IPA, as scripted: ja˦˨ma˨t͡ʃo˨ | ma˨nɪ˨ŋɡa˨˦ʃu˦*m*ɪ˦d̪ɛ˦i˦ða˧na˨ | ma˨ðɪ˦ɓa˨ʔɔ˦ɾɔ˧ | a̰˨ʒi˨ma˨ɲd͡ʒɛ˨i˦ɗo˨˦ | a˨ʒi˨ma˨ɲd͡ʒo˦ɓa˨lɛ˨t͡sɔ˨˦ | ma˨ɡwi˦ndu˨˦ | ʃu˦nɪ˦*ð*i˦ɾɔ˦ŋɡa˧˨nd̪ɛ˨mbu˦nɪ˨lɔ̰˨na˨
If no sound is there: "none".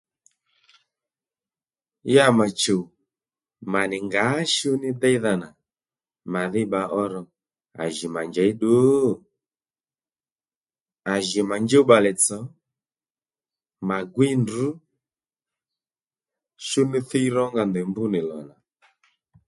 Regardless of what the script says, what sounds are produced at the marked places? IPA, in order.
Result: n, θ

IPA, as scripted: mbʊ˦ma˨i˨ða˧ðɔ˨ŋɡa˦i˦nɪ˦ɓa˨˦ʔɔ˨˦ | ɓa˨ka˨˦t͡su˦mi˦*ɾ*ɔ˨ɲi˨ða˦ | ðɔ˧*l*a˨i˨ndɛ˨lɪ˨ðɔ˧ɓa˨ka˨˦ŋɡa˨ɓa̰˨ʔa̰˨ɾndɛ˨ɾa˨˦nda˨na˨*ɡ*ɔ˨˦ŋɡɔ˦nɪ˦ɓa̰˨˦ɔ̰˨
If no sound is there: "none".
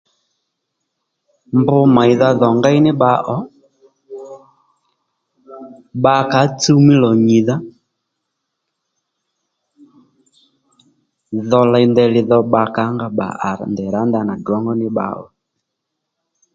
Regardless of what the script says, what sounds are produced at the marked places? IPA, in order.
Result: l, l, ɡ

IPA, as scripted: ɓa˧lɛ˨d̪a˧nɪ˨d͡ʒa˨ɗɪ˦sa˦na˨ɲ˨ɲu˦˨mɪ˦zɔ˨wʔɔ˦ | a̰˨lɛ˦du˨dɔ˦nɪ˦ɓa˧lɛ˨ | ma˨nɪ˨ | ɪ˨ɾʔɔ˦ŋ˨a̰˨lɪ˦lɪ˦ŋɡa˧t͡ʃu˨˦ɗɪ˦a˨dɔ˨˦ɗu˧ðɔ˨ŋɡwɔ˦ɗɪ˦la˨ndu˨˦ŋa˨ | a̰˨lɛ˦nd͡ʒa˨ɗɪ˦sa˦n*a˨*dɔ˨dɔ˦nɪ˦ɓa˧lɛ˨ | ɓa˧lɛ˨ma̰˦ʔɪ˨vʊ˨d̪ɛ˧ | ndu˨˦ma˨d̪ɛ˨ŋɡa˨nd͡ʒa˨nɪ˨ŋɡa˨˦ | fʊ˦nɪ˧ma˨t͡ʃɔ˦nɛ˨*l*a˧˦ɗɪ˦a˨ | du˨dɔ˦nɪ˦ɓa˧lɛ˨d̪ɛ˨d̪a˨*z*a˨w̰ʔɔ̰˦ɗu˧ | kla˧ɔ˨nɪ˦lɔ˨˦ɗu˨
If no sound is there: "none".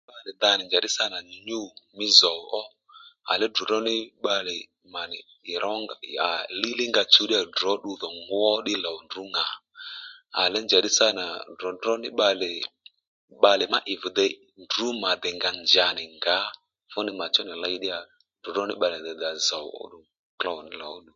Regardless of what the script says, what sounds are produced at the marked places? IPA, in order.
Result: a˨, l, z

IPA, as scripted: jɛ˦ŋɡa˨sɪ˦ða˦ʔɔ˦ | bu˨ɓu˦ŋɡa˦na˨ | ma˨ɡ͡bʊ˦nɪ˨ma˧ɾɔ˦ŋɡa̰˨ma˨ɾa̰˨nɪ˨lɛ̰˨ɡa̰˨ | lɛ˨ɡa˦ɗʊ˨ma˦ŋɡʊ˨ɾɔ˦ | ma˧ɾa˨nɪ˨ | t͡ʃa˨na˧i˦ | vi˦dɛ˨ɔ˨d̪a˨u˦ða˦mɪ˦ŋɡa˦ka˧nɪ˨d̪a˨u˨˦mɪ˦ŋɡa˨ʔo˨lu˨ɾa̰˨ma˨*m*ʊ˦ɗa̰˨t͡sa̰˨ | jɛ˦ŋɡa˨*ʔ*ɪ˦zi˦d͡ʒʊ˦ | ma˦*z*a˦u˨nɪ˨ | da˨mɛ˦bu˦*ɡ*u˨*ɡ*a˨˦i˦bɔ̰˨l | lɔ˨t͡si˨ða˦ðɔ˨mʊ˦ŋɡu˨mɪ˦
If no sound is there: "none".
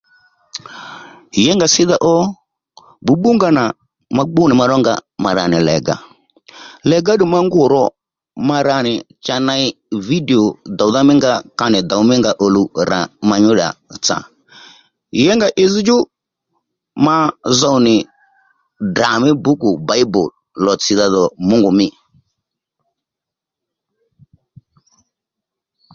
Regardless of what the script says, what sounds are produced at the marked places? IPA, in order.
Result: ɲ, ʔ, z, k, b

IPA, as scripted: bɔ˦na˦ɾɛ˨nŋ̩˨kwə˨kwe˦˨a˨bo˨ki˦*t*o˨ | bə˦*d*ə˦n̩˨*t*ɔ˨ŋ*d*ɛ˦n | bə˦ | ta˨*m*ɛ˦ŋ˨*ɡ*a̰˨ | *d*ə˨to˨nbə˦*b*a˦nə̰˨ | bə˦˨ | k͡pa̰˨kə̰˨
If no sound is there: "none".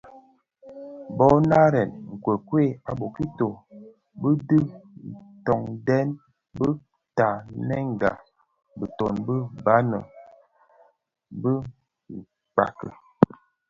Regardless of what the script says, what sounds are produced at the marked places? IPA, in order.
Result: t, d, t, d, n, ɡ, b, b

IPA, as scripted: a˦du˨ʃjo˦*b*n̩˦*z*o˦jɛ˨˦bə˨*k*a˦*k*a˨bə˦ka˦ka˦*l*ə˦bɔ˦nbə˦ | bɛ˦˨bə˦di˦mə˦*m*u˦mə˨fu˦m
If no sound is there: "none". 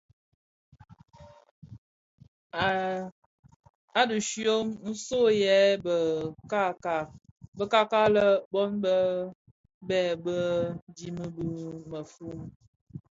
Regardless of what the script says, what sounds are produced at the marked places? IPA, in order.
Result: m, s, k, k, l, b

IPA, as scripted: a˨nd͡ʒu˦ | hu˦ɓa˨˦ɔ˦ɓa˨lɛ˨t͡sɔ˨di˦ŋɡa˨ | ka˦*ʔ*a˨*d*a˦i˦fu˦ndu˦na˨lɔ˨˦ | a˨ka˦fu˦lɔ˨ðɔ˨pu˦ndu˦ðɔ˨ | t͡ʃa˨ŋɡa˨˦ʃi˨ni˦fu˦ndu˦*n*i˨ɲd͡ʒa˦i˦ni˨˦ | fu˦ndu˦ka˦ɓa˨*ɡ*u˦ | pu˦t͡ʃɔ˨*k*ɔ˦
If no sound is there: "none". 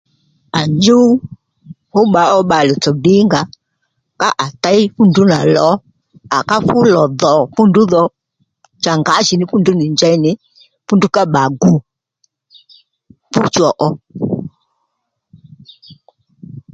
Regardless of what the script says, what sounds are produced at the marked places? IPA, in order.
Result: ʔ, t, n, ɡ, ʔ

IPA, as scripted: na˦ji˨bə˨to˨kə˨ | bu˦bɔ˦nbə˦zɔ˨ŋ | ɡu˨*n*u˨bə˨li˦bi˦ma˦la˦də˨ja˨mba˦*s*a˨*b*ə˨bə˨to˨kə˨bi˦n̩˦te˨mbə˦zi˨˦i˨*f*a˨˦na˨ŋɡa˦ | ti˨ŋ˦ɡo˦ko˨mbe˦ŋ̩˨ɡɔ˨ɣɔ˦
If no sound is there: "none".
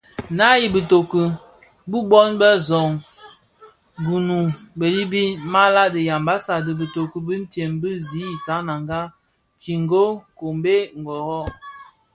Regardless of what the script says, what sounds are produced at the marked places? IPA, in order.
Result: n, s, d, s

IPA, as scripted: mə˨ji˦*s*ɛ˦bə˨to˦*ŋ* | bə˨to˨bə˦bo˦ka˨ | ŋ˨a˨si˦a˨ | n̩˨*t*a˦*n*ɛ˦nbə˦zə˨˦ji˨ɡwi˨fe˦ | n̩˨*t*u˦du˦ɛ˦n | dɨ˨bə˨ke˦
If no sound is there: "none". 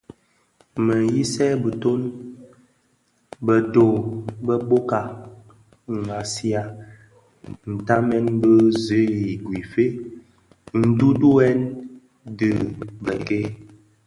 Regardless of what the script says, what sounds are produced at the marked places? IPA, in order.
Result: s, n, t, m, d

